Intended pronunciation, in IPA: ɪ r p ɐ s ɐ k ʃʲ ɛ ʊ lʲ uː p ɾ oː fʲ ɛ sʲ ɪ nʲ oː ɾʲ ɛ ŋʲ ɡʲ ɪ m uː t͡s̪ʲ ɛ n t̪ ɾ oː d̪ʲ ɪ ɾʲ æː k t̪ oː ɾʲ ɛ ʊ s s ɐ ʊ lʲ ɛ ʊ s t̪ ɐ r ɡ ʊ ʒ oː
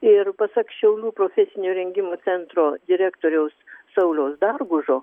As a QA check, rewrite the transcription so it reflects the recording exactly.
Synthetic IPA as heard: ɪ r p ɐ s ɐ k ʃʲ ɛ ʊ lʲ uː p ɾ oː fʲ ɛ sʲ ɪ nʲ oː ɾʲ ɛ ŋʲ ɡʲ ɪ m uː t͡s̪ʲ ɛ n t̪ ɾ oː d̪ʲ ɪ ɾʲ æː k t̪ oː ɾʲ ɛ ʊ s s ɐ ʊ lʲ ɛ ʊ s d̪ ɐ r ɡ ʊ ʒ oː